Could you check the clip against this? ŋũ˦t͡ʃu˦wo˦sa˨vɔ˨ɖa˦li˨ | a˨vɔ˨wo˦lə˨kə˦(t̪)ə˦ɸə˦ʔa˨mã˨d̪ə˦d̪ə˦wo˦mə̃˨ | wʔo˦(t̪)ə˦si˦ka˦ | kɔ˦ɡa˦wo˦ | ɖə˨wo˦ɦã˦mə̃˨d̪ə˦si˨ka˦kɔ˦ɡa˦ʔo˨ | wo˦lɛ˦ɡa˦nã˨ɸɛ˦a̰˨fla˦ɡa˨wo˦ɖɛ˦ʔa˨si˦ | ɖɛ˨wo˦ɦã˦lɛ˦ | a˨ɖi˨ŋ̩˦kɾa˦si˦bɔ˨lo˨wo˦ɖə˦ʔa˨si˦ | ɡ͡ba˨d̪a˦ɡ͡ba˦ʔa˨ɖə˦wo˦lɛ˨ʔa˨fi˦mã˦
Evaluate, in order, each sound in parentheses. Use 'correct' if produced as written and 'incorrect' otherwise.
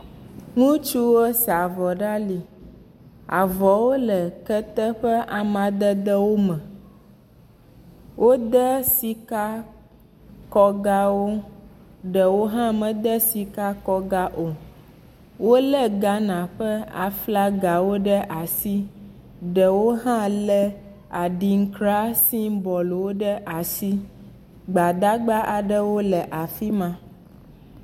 correct, incorrect

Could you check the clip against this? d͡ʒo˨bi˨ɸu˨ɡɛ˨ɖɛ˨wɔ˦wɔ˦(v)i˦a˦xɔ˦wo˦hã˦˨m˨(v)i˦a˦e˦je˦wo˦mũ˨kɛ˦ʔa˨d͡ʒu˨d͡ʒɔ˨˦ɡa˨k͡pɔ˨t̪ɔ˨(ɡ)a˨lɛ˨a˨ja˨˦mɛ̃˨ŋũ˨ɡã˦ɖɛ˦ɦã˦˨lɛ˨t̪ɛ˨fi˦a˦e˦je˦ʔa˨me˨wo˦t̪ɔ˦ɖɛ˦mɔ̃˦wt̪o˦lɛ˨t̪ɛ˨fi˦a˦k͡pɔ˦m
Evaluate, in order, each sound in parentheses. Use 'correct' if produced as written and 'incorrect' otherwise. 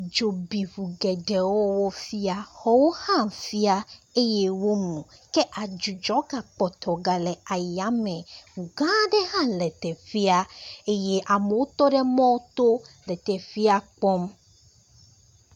incorrect, incorrect, correct

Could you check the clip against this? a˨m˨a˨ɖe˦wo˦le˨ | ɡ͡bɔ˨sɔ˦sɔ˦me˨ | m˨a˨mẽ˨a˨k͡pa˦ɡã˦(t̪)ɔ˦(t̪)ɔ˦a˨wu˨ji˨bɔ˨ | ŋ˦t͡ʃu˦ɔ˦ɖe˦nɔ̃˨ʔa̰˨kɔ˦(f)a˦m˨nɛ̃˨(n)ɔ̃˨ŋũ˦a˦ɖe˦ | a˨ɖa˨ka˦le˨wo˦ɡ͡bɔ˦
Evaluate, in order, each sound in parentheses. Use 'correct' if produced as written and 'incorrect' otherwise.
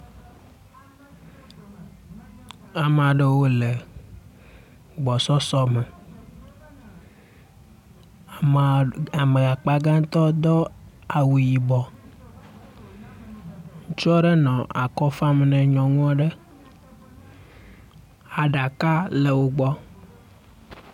correct, incorrect, correct, incorrect

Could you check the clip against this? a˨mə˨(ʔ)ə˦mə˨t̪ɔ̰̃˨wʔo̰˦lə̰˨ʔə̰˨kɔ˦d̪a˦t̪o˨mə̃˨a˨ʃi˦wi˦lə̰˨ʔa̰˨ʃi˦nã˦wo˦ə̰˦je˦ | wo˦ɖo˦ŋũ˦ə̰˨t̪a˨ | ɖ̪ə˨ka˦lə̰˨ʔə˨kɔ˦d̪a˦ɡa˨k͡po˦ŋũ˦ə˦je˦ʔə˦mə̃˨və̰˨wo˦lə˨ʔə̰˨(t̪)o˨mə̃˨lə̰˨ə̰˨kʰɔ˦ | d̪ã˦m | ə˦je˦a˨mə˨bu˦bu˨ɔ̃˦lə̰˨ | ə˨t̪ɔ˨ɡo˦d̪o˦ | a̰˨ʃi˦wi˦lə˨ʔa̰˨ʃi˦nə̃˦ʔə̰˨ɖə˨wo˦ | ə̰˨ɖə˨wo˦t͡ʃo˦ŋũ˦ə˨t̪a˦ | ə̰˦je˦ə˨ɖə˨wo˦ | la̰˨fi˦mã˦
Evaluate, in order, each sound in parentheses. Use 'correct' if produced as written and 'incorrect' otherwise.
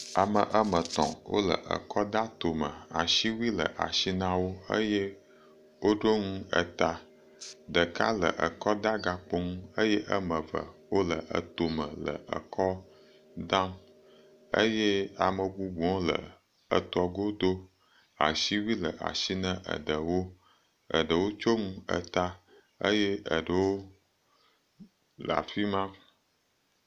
correct, correct

